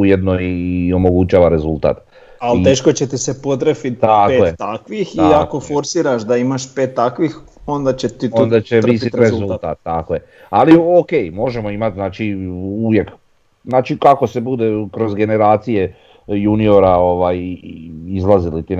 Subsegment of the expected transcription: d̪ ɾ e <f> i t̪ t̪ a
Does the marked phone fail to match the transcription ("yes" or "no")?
no